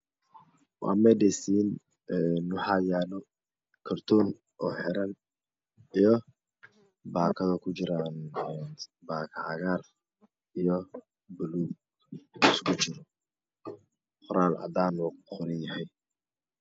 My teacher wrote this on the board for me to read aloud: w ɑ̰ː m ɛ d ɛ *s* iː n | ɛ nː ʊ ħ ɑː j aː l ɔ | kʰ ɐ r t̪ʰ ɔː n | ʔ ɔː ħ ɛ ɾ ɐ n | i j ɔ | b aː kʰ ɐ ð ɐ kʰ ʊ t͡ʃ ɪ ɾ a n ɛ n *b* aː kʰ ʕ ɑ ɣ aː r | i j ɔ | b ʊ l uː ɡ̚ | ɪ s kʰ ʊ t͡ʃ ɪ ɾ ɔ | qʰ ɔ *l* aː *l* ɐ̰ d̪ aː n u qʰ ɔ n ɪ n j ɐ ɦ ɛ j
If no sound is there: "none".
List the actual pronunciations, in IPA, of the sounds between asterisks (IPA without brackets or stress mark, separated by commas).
s, b, ɾ, l